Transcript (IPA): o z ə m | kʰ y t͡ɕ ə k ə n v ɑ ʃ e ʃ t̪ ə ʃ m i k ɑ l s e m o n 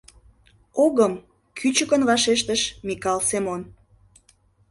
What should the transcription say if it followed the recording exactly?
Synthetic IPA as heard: o ɣ ə m | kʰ y t͡ɕ ə k ə n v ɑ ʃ e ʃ t̪ ə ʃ m i k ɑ l s e m o n

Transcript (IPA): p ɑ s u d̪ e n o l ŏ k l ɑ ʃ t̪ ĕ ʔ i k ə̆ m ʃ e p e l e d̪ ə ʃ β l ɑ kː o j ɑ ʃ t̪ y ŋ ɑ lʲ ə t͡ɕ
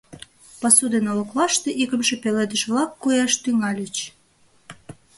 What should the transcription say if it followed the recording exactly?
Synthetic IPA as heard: p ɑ s u d̪ e n o l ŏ k l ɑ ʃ t̪ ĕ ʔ i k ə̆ m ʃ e p e l e d̪ ə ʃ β l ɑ kː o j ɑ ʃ t̪ y ŋ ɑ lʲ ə t͡ɕ

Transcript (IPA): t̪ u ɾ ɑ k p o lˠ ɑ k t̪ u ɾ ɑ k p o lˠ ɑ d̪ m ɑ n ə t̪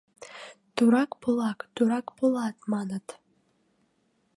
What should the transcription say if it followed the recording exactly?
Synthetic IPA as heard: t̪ u ɾ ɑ k p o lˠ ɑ k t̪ u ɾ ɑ k p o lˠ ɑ t̪ m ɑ n ə t̪

